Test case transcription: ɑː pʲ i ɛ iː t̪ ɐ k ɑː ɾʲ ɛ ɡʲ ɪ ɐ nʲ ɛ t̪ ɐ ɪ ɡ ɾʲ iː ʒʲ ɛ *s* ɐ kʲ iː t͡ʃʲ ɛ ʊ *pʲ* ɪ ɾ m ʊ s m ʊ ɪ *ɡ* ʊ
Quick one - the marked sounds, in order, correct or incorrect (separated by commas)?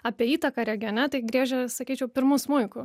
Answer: correct, correct, incorrect